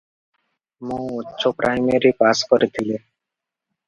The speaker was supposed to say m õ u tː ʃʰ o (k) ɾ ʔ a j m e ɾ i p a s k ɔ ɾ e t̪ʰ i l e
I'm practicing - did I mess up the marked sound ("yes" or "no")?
yes